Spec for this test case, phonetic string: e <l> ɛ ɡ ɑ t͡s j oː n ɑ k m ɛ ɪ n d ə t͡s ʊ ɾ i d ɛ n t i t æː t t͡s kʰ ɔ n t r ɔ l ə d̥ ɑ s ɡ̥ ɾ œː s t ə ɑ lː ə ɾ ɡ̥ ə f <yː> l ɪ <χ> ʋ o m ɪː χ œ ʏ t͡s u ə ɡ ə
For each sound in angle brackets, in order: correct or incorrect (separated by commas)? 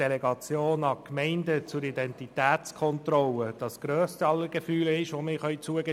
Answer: correct, correct, incorrect